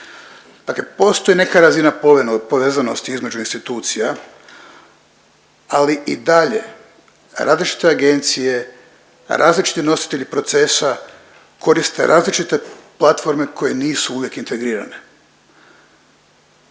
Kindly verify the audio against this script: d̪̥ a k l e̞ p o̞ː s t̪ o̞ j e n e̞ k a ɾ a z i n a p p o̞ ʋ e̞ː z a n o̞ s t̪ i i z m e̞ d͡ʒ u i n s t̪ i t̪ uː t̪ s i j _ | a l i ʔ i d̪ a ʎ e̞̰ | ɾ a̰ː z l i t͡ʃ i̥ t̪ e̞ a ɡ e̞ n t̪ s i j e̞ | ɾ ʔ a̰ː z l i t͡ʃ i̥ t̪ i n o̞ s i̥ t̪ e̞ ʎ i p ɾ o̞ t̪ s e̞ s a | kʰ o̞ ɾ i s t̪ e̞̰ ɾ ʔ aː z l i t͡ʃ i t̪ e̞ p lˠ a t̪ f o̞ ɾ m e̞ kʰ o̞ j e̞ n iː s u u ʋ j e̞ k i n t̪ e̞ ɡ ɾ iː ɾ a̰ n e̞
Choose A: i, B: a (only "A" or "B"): B